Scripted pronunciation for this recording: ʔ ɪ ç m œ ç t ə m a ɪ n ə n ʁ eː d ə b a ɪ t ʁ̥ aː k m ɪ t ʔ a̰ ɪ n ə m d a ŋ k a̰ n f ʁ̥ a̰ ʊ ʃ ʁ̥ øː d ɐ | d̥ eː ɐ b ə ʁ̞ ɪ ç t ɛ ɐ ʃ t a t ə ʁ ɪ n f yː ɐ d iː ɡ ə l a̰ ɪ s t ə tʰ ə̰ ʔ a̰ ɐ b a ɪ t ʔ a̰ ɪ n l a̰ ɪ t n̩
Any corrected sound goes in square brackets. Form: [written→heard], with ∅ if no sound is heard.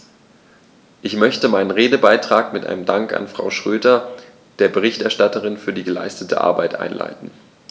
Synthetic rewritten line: ʔ ɪ ç m œ ç t ə m a ɪ n ə n ʁ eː d ə b a ɪ t ʁ̥ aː k m ɪ t ʔ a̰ ɪ n ə m d a ŋ k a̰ n f ʁ̥ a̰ ʊ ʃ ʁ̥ øː d ɐ | d̥ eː ɐ b ə ʁ̞ ɪ ç t ɛ ɐ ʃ t a t ə ʁ ɪ n f yː ɐ d iː ɡ ə l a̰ ɪ s t ə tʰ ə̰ ʔ a̰ ɐ b a ɪ t ʔ a̰ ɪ n l a̰ ɪ t n̩